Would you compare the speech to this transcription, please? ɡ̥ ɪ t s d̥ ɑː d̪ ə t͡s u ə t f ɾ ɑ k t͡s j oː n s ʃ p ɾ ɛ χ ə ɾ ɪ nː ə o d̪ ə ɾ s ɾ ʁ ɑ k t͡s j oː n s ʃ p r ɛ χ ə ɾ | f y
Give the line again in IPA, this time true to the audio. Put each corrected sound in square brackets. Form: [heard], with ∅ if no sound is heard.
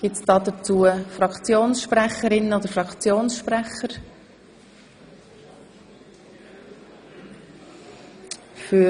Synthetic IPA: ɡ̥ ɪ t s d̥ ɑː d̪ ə t͡s u ə [∅] f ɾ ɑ k t͡s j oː n s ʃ p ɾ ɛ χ ə ɾ ɪ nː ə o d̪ ə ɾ [f] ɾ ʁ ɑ k t͡s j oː n s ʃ p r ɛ χ ə ɾ | f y